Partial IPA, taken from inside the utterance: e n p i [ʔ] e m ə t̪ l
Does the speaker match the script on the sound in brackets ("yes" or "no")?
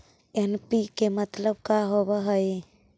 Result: no